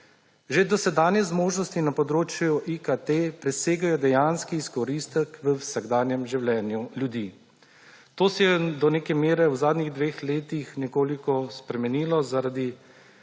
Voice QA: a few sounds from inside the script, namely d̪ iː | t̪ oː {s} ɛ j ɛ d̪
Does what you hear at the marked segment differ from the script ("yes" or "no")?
no